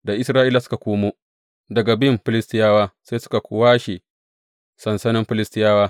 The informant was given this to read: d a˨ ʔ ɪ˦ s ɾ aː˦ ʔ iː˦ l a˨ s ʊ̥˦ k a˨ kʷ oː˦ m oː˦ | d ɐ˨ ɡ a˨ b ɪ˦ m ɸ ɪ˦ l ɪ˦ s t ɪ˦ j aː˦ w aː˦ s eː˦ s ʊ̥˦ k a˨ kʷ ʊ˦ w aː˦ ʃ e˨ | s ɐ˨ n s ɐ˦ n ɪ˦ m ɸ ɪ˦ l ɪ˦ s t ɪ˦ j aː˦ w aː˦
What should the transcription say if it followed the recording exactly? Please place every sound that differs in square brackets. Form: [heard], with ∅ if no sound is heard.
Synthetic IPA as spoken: d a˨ ʔ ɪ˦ s ɾ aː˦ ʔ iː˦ l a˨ s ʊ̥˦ k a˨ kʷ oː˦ m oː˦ | d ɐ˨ ɡ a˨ b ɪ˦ m ɸ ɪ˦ l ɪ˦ s t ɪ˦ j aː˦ w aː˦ s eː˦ s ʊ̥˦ k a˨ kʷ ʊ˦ w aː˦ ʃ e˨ | s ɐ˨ n s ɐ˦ n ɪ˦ m ɸ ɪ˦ l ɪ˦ s t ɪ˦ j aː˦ w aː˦